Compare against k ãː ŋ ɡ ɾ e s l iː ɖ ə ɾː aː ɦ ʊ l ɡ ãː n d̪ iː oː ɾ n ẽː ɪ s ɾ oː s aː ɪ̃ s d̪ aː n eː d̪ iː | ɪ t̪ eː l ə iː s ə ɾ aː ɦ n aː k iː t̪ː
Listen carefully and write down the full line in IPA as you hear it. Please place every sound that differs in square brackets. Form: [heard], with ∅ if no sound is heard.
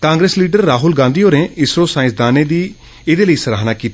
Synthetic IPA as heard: k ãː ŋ ɡ ɾ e s l iː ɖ ə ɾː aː ɦ ʊ l ɡ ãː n d̪ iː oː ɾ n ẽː ɪ s ɾ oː s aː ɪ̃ s d̪ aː n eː d̪ iː | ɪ [d̪] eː l ə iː s ə ɾ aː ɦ n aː k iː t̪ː